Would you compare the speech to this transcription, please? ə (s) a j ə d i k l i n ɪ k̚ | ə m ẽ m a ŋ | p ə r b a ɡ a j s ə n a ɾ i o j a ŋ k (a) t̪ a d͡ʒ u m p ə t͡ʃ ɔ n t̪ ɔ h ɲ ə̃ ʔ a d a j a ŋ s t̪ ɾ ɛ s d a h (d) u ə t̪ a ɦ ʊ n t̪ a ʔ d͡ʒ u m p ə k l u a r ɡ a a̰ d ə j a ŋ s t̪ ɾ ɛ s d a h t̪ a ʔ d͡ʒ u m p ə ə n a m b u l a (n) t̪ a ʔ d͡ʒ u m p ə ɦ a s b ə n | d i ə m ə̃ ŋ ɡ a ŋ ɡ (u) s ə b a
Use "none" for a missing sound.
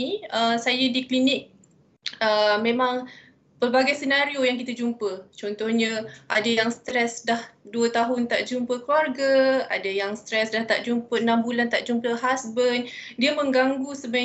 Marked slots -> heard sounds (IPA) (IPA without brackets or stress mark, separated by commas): s, i, d, n, u